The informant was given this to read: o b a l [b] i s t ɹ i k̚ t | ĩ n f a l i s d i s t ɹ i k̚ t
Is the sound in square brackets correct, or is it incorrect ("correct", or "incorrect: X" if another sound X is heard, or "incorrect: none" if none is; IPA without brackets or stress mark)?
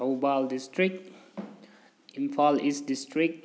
incorrect: d